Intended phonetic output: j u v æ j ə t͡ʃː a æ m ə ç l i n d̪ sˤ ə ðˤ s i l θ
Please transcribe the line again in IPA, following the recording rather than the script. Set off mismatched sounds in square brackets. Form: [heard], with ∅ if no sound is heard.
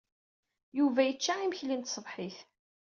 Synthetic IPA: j u v æ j ə t͡ʃː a [i] m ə ç l i n [t̪] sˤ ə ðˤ [ħ] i [∅] θ